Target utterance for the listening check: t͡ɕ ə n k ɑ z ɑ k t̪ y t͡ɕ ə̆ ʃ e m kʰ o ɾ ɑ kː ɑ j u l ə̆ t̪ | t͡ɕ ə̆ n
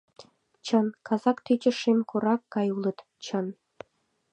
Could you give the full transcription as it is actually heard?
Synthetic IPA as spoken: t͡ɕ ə n k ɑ z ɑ k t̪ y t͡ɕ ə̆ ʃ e m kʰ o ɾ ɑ kː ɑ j u l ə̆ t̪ | t͡ɕ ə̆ n